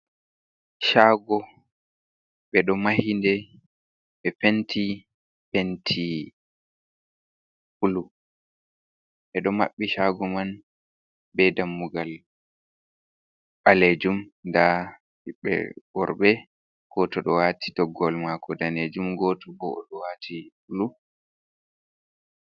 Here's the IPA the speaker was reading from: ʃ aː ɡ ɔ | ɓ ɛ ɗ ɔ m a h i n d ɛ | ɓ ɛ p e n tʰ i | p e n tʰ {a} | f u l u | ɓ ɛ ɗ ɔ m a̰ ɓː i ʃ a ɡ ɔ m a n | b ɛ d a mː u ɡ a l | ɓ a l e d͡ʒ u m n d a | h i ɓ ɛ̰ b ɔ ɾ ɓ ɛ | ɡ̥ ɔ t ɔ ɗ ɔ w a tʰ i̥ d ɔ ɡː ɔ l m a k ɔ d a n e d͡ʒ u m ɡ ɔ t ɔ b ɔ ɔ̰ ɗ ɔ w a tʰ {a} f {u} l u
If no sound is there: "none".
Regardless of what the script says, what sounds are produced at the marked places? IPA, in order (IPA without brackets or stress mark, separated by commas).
i, i, u